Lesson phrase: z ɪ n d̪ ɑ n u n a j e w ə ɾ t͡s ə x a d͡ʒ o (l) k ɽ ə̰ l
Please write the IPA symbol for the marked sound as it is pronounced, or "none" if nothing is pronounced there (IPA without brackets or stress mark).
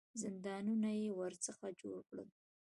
ɽ